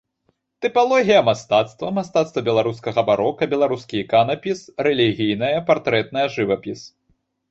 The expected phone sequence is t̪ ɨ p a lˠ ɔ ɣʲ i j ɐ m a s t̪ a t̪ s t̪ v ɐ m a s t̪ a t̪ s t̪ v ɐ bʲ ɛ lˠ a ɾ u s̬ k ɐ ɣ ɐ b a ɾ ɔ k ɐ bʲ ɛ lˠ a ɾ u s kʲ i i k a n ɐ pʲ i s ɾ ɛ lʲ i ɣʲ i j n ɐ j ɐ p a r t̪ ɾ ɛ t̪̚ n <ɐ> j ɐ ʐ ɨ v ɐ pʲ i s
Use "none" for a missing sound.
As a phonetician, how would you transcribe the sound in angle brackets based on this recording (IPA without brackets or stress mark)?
ɐ